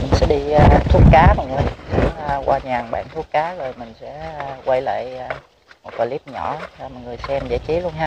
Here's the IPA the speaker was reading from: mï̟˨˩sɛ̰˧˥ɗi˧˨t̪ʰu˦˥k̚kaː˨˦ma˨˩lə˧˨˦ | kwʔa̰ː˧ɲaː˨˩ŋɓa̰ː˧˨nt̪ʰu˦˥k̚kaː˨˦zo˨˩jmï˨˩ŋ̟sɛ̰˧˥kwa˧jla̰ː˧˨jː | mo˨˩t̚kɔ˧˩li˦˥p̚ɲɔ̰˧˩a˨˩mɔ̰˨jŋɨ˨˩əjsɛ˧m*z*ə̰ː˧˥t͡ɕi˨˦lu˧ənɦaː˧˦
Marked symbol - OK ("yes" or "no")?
yes